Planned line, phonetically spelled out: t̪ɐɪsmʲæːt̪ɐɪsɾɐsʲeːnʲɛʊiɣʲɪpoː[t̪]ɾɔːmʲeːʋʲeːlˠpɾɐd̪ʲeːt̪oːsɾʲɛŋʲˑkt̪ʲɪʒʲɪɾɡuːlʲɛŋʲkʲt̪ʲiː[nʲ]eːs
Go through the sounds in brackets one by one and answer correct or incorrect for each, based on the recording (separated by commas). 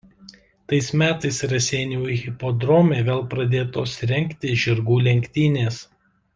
incorrect, correct